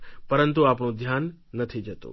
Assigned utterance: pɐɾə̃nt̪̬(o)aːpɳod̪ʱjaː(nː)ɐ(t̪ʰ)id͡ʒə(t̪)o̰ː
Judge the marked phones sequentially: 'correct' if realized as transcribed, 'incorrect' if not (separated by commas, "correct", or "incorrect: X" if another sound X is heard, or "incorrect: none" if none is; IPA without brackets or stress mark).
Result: incorrect: u, correct, correct, correct